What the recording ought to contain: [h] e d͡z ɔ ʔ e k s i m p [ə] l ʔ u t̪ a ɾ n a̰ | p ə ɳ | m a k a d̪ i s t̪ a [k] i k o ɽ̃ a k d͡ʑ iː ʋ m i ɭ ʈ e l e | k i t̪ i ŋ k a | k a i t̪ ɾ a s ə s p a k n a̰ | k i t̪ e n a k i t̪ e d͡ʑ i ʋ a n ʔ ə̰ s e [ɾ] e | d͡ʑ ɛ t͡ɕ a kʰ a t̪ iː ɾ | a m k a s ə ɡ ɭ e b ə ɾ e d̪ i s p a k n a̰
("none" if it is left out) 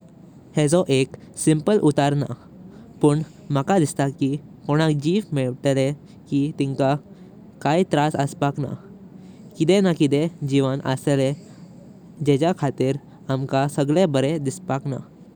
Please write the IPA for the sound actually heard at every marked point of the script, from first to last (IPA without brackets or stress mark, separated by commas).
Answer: h, ə, k, l